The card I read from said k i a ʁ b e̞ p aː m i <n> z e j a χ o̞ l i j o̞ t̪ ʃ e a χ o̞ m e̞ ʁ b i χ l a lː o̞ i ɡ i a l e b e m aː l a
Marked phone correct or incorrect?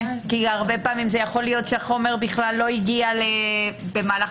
incorrect